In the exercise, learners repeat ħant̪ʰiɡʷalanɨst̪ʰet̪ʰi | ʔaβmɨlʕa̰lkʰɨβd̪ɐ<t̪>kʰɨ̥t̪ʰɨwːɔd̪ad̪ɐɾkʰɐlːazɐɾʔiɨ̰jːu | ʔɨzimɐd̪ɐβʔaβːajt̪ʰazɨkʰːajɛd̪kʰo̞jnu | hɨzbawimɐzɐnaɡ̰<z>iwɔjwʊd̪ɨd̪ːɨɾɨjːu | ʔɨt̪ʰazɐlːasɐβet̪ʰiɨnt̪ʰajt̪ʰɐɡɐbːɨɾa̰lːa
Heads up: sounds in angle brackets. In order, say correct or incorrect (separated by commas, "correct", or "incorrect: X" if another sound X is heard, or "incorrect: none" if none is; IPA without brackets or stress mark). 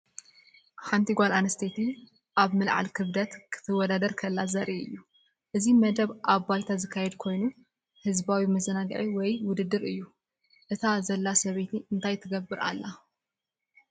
correct, incorrect: ʕ